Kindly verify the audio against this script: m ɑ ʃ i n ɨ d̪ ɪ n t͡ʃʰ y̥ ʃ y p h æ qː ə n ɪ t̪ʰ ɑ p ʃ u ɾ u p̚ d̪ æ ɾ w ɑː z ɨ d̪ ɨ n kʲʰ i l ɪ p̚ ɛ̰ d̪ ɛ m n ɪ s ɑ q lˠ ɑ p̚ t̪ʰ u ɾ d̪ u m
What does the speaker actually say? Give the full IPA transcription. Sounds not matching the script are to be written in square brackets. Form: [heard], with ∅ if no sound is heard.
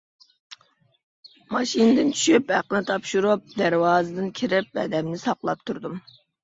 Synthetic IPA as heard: m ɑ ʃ i n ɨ d̪ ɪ n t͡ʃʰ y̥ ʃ y p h æ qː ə n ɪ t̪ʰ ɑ p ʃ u ɾ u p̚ d̪ æ ɾ w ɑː z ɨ d̪ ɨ n kʲʰ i [ɾ] ɪ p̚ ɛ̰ d̪ ɛ m n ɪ s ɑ q lˠ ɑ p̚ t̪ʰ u ɾ d̪ u m